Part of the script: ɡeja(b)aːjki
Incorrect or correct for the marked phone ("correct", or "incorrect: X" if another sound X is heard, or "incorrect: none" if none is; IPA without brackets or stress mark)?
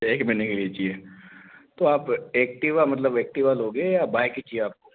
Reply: correct